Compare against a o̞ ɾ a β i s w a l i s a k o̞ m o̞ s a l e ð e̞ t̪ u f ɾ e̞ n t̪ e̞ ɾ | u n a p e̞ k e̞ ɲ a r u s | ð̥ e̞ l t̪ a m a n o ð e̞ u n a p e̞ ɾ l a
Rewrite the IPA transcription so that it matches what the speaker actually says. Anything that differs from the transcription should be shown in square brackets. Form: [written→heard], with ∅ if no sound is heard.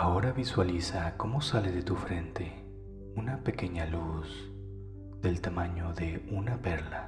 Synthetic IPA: a o̞ ɾ a β i s w a l i s a k o̞ m o̞ s a l e ð e̞ t̪ u f ɾ e̞ n t̪ e̞ [ɾ→∅] | u n a p e̞ k e̞ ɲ a [r→l] u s | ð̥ e̞ l t̪ a m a [n→ɲ] o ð e̞ u n a p e̞ ɾ l a

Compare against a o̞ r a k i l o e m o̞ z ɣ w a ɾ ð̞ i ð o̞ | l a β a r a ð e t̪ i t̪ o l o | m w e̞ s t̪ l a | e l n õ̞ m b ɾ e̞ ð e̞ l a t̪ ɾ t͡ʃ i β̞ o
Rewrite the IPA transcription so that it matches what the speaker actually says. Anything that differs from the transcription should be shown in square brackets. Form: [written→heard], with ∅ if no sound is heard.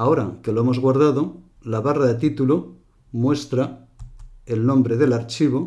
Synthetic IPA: a o̞ [r→ɾ] a k [i→e] l o e m o̞ z ɣ w a ɾ ð̞ [i→a] ð o̞ | l a β a r a ð e t̪ i t̪ [o→u] l o | m w e̞ s t̪ [l→ɾ] a | e l n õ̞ m b ɾ e̞ ð e̞ l a [t̪→∅] ɾ t͡ʃ i β̞ o

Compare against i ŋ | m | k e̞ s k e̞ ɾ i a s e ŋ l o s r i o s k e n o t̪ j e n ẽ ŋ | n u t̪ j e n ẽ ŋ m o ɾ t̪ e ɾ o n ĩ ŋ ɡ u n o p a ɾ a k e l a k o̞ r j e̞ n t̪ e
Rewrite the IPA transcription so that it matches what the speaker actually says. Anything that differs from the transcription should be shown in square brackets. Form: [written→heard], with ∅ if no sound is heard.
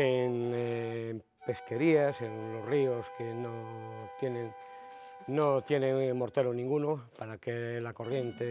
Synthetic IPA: [i→e] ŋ | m | [k→p] e̞ s k e̞ ɾ i a s e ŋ l o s r i o s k e n o t̪ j e n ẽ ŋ | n [u→o] t̪ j e n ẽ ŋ m o ɾ t̪ e ɾ o n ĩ ŋ ɡ u n o p a ɾ a k e l a k o̞ r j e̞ n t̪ e

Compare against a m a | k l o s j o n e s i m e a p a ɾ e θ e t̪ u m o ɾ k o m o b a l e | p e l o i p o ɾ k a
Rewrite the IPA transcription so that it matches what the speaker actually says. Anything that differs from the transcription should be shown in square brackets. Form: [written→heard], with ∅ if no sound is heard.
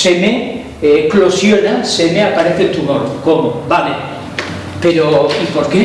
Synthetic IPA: [a→e] m [a→e] | k l o s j o n [e→a] s [i→e] m e a p a ɾ e θ e t̪ u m o ɾ k o m o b a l e | p e [l→ɾ] o i p o ɾ k [a→e]

